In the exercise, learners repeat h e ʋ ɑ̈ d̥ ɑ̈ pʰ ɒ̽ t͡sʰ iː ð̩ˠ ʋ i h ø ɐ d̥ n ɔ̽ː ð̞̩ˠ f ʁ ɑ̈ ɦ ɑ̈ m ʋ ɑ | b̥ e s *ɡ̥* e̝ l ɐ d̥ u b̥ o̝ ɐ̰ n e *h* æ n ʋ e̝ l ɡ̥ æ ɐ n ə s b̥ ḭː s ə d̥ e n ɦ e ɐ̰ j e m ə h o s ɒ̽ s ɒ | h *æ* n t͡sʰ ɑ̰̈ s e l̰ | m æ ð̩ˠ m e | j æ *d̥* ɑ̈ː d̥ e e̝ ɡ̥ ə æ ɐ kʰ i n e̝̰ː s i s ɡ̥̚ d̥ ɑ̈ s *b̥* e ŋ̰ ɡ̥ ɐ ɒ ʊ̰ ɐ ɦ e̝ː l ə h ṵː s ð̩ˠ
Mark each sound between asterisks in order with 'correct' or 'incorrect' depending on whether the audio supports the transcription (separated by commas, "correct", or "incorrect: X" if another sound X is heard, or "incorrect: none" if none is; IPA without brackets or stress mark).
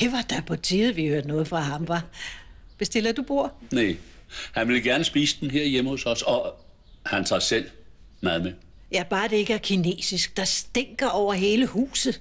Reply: incorrect: d̥, correct, correct, incorrect: b̥, incorrect: d̥